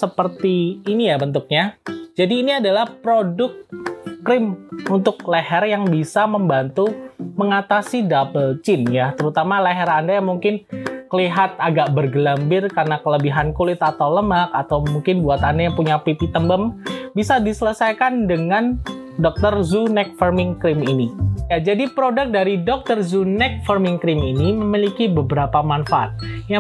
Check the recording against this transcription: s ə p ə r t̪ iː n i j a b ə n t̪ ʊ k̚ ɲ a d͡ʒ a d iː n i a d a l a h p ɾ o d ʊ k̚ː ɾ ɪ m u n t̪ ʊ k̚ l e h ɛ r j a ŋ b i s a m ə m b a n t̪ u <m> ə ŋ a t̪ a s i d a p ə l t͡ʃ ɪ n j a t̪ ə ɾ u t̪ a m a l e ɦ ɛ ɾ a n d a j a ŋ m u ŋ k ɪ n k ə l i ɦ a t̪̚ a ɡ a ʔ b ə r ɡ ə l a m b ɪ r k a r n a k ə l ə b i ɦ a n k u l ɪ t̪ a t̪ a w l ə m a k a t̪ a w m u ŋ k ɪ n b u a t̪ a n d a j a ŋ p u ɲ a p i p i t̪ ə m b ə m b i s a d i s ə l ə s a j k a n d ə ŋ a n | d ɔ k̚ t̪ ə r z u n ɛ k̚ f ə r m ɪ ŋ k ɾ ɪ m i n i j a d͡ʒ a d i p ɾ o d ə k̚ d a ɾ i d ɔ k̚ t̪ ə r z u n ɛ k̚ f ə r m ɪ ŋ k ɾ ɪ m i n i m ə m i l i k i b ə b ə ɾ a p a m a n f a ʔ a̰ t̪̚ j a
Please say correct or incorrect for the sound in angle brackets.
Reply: correct